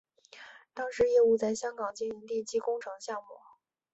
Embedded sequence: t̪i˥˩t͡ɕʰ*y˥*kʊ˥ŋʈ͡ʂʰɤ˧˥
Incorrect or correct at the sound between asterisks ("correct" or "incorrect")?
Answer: incorrect